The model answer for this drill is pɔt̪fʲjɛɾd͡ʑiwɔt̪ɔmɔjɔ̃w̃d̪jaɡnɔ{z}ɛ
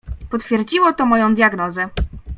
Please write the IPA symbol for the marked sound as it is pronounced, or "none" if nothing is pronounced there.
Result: z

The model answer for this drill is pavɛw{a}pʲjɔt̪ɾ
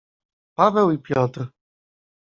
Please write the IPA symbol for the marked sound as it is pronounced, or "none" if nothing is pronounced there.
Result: i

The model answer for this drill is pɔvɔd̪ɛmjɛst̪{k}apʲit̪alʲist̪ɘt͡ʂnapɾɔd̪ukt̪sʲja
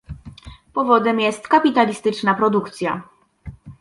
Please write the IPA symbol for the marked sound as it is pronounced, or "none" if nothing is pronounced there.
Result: k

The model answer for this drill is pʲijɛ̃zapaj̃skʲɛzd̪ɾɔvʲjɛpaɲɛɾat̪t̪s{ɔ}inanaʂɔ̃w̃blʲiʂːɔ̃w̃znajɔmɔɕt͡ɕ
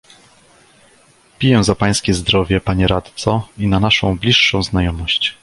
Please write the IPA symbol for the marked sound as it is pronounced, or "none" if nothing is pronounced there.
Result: ɔ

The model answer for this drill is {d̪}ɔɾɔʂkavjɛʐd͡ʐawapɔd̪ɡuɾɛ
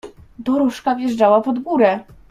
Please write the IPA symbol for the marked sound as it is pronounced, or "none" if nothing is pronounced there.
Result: d̪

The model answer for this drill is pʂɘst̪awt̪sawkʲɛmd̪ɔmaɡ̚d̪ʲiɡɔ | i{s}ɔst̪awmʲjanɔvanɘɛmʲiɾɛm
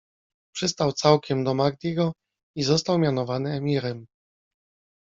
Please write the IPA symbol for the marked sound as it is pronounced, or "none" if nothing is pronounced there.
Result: z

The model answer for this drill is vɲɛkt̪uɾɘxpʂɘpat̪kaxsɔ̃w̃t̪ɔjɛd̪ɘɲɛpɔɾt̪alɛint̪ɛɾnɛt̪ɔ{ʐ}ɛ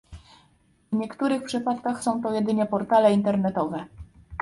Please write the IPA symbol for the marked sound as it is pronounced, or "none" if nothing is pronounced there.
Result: v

